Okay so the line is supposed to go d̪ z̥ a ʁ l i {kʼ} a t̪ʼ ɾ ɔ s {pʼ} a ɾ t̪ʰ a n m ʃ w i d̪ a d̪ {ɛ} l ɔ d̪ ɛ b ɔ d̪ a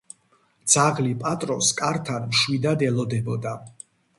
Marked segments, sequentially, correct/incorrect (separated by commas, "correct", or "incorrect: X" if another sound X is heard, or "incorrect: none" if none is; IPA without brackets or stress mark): incorrect: pʼ, incorrect: kʼ, correct